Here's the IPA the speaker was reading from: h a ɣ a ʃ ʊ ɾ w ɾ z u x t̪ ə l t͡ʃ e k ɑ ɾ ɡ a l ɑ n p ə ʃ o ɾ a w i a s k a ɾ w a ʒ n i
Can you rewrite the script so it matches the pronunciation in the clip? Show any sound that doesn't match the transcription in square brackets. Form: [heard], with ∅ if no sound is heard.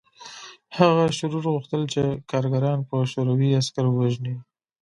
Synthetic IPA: h a ɣ a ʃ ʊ ɾ [u] ɾ [ɣ] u x t̪ ə l t͡ʃ e k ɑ ɾ ɡ a [ɾ] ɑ n p ə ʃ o ɾ a w i a s k a ɾ w a ʒ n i